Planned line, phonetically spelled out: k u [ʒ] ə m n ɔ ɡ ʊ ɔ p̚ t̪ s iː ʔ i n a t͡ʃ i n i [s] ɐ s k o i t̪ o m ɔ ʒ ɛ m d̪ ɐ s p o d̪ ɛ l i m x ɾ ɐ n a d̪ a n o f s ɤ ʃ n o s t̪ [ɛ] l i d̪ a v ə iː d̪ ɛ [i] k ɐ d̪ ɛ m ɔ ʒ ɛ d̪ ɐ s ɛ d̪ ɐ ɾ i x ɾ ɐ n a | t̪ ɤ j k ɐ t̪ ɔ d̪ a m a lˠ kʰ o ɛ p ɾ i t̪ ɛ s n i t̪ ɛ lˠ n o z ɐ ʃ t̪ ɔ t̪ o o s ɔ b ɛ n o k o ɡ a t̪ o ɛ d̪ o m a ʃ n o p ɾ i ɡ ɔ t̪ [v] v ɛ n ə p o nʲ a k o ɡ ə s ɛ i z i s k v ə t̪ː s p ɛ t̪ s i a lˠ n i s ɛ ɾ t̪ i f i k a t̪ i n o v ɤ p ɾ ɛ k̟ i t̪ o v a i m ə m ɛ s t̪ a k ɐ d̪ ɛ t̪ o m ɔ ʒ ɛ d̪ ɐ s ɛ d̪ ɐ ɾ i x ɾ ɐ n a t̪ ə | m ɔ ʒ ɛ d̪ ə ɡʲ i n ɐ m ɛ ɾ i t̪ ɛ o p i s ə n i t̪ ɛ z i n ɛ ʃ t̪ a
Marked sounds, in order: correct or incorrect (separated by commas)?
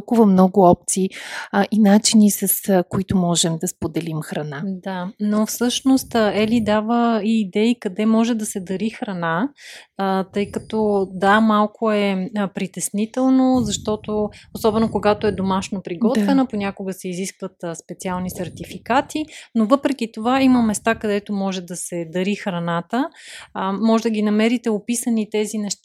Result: incorrect, correct, correct, correct, correct